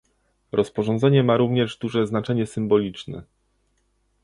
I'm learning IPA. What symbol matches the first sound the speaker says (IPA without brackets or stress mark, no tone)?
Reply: ɾ